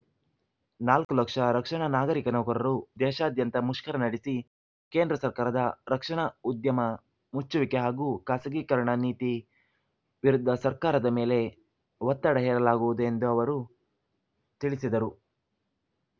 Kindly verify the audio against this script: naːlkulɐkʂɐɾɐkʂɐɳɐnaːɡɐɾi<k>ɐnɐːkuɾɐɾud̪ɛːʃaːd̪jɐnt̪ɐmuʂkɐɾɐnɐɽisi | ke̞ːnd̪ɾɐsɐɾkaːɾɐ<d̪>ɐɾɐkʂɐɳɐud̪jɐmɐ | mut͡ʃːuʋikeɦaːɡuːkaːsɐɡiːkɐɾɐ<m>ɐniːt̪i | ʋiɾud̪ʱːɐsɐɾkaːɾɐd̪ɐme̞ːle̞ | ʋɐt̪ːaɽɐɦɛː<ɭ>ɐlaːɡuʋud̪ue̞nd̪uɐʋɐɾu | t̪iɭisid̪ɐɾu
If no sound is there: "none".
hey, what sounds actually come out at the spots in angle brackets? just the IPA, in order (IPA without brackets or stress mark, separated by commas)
k, d̪, ɳ, ɾ